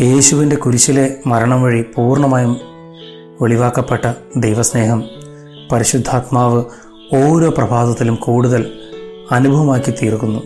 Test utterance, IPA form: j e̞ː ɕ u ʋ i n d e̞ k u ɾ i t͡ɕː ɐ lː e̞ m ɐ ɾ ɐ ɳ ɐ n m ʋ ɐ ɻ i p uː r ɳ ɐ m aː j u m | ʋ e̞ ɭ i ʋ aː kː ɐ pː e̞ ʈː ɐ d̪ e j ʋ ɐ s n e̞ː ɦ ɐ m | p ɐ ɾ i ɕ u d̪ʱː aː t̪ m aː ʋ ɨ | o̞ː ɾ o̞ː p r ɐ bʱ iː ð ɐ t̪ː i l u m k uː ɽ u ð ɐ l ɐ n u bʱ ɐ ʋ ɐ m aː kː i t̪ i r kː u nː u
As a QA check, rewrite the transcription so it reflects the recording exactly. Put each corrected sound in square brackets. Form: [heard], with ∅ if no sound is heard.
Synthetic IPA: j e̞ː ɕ u ʋ i n d e̞ k u ɾ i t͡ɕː ɐ [l] e̞ m ɐ ɾ ɐ ɳ ɐ [∅] m ʋ ɐ ɻ i p uː r ɳ ɐ m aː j u m | ʋ e̞ ɭ i ʋ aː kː ɐ pː e̞ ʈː ɐ d̪ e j ʋ ɐ s n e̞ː ɦ ɐ m | p ɐ ɾ i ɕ u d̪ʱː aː t̪ m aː ʋ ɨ | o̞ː ɾ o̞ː p r ɐ bʱ [aː] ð ɐ t̪ː i l u m k uː ɽ u ð ɐ l ɐ n u bʱ ɐ ʋ ɐ m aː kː i t̪ [iː] r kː u nː u